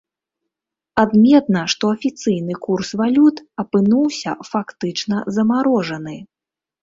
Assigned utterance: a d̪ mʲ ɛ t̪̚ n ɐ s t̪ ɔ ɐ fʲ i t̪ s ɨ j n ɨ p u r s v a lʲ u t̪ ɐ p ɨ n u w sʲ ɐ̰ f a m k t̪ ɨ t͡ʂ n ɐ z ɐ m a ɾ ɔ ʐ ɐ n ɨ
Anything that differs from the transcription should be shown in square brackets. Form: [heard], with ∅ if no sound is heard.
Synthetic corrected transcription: a d̪ mʲ ɛ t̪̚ n ɐ [ʂ] t̪ ɔ ɐ fʲ i t̪ s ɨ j n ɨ [k] u r s v a lʲ u t̪ ɐ p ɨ n u w sʲ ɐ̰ f a [∅] k t̪ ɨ t͡ʂ n ɐ z ɐ m a ɾ ɔ ʐ ɐ n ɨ

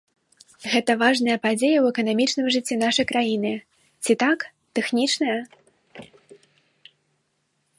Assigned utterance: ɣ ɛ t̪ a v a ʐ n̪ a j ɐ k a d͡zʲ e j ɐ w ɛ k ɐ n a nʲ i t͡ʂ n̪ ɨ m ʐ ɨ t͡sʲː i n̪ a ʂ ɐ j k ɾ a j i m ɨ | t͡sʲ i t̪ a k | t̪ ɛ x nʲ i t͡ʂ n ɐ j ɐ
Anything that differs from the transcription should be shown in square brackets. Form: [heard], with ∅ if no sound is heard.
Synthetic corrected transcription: ɣ ɛ t̪ [ɐ] v a ʐ n̪ [ɐ] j ɐ [p] a d͡zʲ e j ɐ w ɛ k ɐ n a [mʲ] i t͡ʂ n̪ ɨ m ʐ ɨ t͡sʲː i n̪ a ʂ ɐ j k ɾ a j i [n] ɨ | t͡sʲ i t̪ a k | t̪ ɛ x nʲ i t͡ʂ n ɐ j ɐ

